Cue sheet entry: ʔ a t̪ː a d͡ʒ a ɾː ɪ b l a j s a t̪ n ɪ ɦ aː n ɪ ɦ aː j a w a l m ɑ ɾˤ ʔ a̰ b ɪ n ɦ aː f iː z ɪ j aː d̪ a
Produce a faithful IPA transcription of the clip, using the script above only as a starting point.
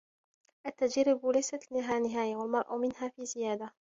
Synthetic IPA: ʔ a t̪ː a d͡ʒ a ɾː ɪ b l a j s a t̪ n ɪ ɦ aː n ɪ ɦ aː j a w a l m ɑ ɾˤ ʔ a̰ m ɪ n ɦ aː f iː z ɪ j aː d̪ a